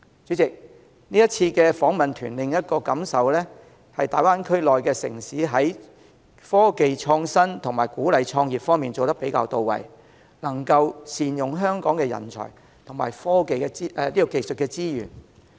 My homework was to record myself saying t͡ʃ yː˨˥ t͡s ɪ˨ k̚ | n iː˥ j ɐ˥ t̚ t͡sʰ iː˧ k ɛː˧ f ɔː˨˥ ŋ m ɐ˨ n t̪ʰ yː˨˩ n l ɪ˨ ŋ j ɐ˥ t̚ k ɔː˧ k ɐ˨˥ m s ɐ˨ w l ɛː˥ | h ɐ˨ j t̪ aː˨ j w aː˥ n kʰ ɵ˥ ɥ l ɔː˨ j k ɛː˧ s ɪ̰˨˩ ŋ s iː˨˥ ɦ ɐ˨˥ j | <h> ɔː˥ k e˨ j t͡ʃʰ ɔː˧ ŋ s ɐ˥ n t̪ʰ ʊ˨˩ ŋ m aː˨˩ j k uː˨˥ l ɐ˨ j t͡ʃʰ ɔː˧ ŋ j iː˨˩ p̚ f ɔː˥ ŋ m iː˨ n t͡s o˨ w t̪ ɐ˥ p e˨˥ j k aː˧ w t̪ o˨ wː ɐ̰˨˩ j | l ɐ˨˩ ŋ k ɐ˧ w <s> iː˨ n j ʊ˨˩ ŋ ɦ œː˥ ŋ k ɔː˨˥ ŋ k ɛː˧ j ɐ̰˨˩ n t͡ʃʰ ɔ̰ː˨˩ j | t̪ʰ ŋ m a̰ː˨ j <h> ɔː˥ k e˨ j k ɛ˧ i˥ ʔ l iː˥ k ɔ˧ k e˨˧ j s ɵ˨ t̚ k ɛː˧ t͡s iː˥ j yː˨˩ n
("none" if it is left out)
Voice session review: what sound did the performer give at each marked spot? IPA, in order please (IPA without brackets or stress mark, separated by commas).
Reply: f, s, f